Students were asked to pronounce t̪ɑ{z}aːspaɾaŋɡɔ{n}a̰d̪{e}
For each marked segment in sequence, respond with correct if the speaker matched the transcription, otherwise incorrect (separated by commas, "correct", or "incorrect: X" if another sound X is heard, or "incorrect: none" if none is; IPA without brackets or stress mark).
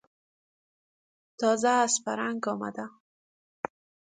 correct, incorrect: m, incorrect: a